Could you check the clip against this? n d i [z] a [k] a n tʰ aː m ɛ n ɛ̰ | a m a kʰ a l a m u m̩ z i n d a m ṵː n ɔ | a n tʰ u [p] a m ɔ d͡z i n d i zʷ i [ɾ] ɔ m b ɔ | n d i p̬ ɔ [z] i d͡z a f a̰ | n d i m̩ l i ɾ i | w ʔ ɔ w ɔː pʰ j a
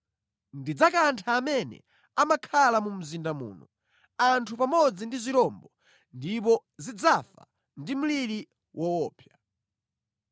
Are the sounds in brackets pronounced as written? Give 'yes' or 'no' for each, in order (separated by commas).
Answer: no, yes, yes, yes, yes